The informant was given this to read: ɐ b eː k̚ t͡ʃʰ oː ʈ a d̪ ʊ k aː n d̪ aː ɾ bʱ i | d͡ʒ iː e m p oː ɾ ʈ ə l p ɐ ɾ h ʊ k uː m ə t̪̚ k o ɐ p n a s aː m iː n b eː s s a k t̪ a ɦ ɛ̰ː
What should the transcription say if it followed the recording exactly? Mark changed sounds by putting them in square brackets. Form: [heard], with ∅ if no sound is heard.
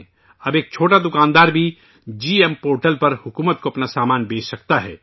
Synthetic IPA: ɐ b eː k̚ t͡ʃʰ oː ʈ a d̪ ʊ k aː n d̪ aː ɾ bʱ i | d͡ʒ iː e m p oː ɾ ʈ ə l p ɐ ɾ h ʊ k uː m ə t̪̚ k o ɐ p n a s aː m [aː] n b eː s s [ɐ] k t̪ a ɦ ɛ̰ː